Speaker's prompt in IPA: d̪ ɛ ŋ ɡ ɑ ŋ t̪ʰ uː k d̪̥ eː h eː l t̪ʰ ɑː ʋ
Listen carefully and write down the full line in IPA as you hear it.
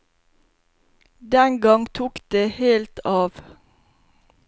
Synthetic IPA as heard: d̪ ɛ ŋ ɡ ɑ ŋ t̪ʰ uː k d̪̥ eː h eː l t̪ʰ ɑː ʋ